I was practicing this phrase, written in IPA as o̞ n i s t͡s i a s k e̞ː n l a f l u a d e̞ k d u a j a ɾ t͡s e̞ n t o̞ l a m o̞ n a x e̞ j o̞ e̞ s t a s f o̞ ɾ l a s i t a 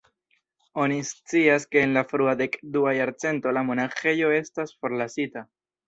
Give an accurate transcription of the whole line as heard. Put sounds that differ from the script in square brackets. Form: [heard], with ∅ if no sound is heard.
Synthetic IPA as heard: o̞ n i s t͡s i a s k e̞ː n l a f [ɾ] u a d e̞ k d u a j a ɾ t͡s e̞ n t o̞ l a m o̞ n a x e̞ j o̞ e̞ s t a s f o̞ ɾ l a s i t a